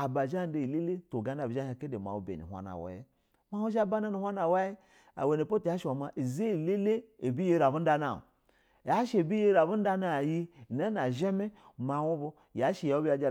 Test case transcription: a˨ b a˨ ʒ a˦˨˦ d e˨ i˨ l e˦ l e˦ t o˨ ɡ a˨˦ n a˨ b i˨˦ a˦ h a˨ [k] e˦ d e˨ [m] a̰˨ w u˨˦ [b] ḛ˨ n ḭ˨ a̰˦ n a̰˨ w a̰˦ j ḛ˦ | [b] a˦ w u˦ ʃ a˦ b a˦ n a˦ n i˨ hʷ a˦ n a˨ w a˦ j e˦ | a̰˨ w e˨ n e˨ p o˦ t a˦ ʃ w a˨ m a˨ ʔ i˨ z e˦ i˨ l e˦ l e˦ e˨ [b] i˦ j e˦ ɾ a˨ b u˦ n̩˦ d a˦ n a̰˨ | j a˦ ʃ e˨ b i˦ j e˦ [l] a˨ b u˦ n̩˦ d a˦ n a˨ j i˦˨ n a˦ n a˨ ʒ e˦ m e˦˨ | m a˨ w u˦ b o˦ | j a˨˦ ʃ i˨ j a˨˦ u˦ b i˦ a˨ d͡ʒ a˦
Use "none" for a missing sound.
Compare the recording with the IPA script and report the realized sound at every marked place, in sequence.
k, m, b, m, b, ɾ

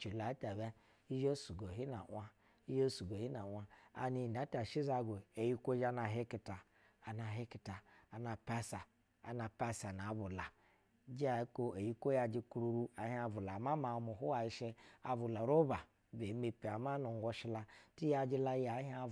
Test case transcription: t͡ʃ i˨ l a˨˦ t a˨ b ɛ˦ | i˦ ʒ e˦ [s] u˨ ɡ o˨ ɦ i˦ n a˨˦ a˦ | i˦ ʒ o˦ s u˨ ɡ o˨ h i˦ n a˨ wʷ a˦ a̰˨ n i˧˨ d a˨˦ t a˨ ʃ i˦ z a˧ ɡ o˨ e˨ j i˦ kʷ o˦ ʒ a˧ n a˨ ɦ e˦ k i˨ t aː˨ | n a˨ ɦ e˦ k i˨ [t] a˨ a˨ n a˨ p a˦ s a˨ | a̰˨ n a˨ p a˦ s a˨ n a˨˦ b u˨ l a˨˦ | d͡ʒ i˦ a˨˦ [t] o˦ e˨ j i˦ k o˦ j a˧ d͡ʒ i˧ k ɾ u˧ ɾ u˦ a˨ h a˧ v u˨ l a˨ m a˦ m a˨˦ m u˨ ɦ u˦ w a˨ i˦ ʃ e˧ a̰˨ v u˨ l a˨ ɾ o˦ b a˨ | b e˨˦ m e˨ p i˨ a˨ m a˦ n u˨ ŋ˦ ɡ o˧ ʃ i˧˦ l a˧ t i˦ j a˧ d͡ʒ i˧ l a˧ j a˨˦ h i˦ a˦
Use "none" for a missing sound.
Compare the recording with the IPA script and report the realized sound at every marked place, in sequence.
s, t, k

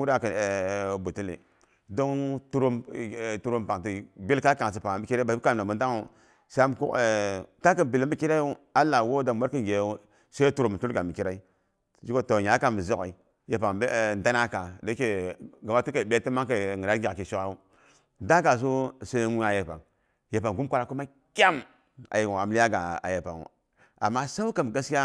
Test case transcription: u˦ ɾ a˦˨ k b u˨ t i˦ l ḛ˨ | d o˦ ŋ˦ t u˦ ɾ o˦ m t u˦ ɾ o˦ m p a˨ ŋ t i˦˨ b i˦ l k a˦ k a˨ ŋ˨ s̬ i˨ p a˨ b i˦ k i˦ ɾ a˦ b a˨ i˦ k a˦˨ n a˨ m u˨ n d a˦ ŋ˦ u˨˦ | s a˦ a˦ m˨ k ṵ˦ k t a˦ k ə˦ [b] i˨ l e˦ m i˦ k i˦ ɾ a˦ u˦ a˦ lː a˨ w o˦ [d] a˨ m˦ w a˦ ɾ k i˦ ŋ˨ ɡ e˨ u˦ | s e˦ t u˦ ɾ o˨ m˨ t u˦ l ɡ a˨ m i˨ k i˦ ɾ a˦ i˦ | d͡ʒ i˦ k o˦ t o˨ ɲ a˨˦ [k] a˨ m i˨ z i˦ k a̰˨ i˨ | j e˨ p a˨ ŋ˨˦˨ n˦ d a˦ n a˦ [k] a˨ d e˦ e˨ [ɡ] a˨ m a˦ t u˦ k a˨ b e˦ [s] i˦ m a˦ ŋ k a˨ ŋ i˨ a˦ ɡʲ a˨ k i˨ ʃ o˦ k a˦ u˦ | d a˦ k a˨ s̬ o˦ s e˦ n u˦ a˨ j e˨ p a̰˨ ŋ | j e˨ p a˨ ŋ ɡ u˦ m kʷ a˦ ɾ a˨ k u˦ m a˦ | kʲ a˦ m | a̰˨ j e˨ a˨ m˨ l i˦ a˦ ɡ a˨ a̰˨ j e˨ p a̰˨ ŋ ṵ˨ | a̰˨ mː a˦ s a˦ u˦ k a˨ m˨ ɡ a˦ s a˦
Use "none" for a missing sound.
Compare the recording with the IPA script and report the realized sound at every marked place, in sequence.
b, d, k, k, ɡ, t

